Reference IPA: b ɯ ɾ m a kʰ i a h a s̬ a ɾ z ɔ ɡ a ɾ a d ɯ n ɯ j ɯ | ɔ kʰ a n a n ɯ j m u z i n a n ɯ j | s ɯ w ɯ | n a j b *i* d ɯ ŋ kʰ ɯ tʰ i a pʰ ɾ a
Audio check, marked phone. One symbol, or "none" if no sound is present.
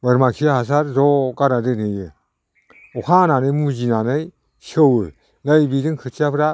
i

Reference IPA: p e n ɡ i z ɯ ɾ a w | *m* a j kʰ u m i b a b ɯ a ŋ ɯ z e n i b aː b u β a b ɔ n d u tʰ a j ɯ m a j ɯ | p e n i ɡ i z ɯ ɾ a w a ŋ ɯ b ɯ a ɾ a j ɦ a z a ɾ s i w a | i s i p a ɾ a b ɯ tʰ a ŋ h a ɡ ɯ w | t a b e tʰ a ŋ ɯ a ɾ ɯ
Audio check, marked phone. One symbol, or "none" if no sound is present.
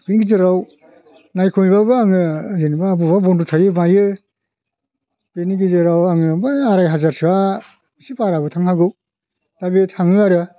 n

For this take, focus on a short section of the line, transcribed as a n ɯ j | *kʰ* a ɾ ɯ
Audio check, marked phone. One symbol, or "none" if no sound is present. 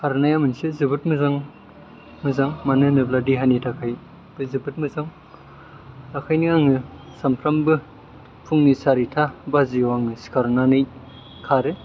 kʰ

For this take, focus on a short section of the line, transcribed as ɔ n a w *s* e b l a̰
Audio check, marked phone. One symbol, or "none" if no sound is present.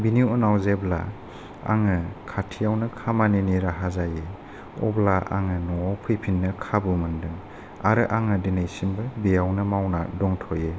z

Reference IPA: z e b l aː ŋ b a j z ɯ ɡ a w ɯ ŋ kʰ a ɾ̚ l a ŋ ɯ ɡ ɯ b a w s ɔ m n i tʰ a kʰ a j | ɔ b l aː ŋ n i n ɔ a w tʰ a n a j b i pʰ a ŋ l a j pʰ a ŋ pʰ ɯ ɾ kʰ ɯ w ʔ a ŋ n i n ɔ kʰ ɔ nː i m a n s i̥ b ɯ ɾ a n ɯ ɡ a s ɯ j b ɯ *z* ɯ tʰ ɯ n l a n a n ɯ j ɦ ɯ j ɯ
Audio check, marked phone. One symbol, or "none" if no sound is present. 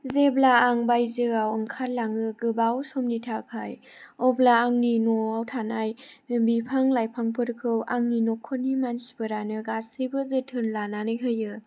z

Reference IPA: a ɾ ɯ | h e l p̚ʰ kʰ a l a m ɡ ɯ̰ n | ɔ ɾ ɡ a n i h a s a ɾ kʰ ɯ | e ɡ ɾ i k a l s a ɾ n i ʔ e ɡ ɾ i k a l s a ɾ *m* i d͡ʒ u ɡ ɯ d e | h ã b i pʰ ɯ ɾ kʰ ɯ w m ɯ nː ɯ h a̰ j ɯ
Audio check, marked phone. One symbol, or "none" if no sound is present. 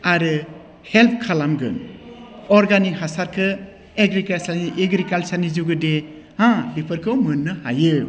n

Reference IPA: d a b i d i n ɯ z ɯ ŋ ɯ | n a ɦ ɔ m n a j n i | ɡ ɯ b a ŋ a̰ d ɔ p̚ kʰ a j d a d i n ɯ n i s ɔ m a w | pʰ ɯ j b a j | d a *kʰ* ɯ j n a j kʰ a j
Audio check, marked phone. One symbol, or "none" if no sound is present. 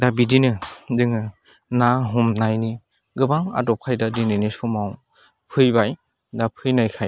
pʰ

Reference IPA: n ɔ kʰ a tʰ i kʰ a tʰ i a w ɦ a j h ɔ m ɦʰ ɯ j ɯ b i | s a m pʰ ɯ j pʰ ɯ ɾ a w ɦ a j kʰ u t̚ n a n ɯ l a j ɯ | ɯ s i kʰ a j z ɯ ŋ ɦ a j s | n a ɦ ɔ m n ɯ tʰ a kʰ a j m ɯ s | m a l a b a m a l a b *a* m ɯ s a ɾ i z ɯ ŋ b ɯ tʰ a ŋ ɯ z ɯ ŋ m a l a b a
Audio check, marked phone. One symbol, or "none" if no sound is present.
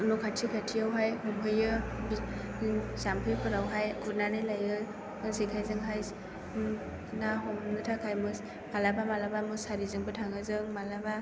a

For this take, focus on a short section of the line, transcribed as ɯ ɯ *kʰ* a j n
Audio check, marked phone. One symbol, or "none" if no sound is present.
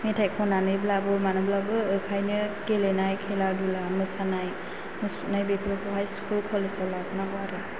kʰ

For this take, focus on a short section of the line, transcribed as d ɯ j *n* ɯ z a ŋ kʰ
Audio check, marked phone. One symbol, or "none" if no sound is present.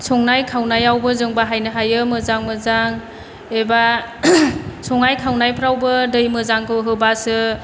m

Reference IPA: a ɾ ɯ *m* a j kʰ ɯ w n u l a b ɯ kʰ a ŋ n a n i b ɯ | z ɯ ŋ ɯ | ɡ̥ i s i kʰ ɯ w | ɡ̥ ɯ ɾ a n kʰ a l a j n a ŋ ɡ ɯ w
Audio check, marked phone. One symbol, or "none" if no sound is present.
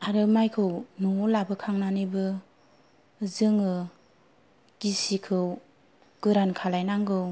m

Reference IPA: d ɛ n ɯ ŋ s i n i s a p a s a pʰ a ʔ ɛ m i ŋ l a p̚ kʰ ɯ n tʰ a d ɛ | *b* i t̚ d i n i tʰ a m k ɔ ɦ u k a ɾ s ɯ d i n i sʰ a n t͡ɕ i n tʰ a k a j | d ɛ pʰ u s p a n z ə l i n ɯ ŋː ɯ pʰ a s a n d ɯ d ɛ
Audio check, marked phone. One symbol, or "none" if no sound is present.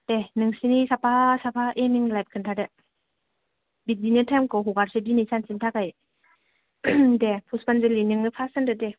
b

